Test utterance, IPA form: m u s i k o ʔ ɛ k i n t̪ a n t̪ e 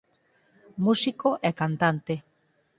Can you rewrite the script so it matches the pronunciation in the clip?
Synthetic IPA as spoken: m u s i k o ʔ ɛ k a n t̪ a n t̪ e